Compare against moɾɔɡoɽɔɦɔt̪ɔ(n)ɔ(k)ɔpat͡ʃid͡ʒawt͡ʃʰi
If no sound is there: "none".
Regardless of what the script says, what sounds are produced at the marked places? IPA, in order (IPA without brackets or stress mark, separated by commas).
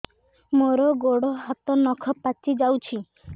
n, kʰ